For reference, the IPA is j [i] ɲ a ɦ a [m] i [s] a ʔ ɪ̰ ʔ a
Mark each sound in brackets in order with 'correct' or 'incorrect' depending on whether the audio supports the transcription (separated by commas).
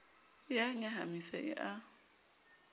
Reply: incorrect, correct, correct